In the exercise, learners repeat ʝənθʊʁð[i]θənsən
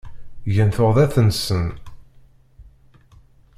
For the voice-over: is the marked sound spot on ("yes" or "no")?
no